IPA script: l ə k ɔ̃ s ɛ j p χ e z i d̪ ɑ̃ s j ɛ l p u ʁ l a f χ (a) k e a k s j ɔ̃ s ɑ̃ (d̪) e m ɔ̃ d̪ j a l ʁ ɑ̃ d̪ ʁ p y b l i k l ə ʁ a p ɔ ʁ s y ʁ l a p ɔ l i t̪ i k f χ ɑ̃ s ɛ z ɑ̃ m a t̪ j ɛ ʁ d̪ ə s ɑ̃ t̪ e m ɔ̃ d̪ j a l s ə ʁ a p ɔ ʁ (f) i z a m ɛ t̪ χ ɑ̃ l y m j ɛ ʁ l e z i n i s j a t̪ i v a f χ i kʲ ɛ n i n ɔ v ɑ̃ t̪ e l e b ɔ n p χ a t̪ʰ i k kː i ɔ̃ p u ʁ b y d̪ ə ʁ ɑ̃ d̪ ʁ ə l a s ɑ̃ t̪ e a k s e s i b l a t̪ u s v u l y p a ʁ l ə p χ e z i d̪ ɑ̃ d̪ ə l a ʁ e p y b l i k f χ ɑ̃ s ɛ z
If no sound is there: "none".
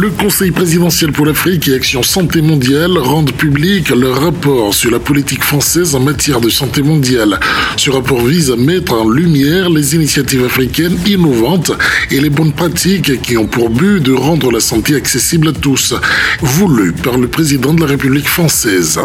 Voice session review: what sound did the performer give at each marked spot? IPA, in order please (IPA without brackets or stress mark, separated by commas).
i, t̪, v